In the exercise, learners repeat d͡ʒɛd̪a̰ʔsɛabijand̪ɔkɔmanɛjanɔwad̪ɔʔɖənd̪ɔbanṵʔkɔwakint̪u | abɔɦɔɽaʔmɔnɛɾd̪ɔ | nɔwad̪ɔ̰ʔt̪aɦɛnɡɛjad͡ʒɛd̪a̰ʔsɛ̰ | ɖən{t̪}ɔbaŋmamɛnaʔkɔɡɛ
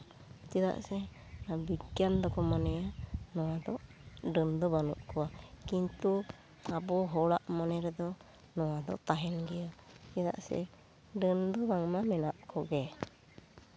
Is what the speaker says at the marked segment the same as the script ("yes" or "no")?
no